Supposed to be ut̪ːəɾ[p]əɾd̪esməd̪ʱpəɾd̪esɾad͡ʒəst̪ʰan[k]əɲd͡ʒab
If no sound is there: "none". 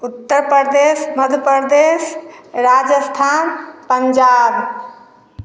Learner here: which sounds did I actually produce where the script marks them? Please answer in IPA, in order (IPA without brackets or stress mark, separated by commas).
p, p